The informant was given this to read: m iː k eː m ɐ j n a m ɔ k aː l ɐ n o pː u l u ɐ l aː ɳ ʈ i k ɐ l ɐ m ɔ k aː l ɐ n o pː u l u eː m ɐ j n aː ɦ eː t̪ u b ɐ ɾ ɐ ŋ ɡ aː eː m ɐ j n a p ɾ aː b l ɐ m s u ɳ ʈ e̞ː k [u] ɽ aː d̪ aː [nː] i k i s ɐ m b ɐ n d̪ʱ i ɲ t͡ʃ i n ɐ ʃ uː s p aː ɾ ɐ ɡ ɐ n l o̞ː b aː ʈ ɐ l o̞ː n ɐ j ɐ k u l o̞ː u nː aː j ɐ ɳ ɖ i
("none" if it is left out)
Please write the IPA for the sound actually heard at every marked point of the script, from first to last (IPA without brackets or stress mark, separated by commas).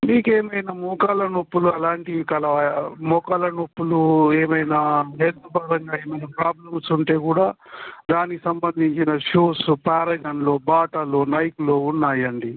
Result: uː, n